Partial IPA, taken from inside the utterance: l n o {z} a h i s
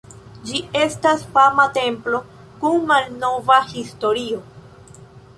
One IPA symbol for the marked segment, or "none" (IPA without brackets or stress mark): v